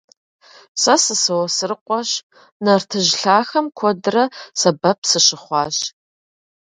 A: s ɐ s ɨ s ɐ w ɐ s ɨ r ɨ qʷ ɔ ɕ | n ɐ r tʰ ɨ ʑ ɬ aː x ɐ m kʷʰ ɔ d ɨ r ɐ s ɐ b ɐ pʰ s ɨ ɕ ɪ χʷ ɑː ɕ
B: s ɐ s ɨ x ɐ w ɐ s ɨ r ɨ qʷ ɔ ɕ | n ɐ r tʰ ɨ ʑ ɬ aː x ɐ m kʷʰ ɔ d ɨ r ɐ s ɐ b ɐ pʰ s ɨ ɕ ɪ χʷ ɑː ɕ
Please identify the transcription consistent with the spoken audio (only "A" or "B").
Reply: A